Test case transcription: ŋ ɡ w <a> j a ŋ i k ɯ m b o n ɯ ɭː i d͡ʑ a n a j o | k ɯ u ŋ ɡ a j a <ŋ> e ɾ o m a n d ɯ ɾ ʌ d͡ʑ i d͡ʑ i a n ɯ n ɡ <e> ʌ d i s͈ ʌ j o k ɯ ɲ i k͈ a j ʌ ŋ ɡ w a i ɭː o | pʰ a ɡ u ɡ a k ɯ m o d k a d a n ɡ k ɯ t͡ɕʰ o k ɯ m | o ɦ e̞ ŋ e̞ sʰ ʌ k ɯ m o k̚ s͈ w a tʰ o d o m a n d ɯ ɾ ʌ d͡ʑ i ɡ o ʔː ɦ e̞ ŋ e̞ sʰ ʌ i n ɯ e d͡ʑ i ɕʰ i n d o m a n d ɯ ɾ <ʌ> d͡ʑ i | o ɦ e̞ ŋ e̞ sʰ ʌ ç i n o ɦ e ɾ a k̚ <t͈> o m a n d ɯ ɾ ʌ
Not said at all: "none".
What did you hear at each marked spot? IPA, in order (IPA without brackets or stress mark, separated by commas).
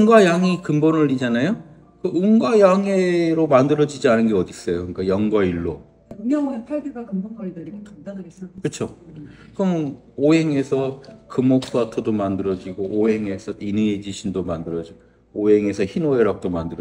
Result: a, ŋ, e, ʌ, t͈